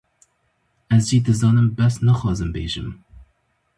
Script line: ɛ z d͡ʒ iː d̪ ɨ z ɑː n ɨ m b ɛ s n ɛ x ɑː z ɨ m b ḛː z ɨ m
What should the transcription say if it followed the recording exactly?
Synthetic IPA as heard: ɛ z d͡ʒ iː d̪ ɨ z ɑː n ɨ m b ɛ s n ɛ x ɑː z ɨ m b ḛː ʒ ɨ m